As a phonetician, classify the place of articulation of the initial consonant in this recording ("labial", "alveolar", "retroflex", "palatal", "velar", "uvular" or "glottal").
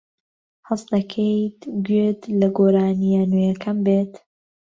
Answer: glottal